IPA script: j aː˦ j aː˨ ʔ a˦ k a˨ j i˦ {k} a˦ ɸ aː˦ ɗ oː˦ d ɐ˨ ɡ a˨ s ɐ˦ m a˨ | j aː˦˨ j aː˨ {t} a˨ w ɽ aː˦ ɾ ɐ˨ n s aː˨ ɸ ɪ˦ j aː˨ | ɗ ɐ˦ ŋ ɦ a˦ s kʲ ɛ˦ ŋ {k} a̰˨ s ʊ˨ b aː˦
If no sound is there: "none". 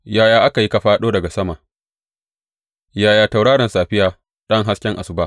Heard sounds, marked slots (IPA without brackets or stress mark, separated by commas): k, t, ʔ